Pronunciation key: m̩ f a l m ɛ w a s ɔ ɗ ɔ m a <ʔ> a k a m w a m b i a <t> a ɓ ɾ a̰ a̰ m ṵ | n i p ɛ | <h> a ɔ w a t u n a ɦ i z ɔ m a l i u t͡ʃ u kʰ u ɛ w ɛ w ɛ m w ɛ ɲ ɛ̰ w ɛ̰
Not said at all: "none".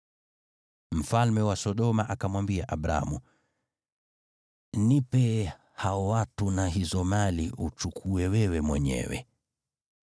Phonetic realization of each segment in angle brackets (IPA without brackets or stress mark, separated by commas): ʔ, ʔ, h